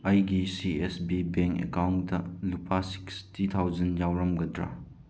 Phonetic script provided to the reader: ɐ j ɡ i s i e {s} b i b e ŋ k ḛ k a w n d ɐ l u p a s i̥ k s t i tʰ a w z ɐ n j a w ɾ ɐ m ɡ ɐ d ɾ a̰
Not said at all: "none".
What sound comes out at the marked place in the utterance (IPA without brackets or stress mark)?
s